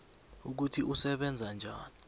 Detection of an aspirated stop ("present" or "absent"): present